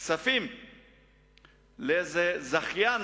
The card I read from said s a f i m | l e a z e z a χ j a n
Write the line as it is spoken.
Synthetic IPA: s a f i m | l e e z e z a χ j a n